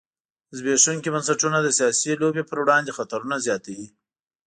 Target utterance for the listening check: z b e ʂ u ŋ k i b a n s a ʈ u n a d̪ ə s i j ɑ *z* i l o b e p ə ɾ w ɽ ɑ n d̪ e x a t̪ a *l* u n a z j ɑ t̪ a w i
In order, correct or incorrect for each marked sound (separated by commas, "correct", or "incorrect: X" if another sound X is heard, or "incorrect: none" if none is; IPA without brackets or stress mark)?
incorrect: s, incorrect: ɾ